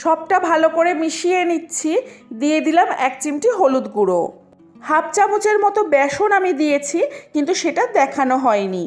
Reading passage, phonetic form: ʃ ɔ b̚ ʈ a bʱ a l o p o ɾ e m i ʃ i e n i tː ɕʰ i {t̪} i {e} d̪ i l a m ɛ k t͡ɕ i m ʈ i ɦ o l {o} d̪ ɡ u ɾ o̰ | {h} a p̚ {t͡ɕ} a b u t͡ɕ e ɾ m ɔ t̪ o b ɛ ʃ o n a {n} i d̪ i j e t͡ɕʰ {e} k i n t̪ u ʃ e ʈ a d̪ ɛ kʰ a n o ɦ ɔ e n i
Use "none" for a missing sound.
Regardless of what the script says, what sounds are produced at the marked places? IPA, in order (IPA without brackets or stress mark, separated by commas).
d̪, e, u, h, t͡ɕ, m, i